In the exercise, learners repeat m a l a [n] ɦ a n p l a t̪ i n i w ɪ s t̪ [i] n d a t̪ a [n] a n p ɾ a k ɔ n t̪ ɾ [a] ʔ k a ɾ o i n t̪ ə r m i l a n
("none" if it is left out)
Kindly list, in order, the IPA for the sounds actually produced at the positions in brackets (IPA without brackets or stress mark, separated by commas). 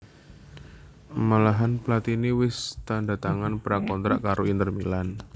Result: none, a, ŋ, a